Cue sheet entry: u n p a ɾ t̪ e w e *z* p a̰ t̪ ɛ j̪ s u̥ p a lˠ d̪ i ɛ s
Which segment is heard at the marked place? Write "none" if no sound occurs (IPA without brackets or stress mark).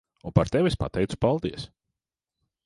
s